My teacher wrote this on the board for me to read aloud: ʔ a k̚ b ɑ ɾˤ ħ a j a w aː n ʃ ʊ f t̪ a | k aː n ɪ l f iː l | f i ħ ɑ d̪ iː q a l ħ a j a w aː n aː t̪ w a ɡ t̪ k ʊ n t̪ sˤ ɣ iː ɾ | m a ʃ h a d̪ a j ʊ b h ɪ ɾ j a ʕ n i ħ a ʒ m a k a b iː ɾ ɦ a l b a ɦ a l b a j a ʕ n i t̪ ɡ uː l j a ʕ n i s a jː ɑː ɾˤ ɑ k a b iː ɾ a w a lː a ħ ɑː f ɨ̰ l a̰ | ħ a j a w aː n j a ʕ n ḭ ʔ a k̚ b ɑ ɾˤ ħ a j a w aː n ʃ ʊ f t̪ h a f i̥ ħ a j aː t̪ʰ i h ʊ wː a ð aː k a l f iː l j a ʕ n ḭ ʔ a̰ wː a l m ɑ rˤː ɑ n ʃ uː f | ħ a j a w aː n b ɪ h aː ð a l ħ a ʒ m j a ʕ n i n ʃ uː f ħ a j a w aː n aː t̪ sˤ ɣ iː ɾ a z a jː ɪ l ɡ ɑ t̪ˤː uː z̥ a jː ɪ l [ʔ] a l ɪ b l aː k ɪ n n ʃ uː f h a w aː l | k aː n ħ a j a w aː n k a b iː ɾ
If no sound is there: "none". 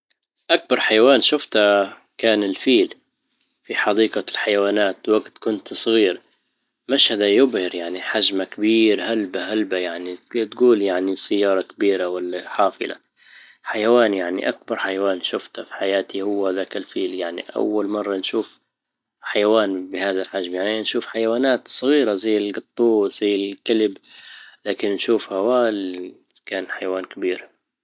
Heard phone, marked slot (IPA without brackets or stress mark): k